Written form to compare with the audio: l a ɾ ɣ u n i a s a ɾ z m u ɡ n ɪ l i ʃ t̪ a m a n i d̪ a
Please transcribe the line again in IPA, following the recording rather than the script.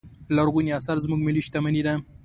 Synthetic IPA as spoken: l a ɾ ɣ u n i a s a ɾ z m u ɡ m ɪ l i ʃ t̪ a m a n i d̪ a